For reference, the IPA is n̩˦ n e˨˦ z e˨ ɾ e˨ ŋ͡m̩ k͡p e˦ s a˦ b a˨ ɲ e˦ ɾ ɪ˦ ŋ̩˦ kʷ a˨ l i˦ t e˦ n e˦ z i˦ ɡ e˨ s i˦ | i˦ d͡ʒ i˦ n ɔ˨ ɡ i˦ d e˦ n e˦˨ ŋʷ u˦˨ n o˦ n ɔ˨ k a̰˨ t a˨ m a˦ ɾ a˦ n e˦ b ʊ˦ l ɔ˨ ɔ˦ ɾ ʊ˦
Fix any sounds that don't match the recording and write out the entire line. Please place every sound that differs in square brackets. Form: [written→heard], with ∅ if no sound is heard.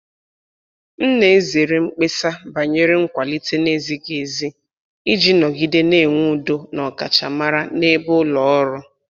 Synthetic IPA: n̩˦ n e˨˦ z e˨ ɾ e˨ ŋ͡m̩ k͡p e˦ s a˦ b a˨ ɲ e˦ ɾ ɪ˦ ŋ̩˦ kʷ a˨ l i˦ t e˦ n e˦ z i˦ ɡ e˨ [s→z] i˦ | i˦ d͡ʒ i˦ n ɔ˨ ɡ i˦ d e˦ n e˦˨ ŋʷ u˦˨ [n→d] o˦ n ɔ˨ k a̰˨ [t→t͡ʃ] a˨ m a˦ ɾ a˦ n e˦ b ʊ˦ l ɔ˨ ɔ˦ ɾ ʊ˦